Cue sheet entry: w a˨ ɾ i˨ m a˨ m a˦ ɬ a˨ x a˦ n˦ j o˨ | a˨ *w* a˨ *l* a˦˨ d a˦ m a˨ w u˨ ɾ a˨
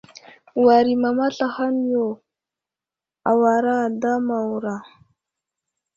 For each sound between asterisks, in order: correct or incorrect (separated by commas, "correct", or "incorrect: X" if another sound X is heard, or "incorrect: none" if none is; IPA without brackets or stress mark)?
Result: correct, incorrect: ɾ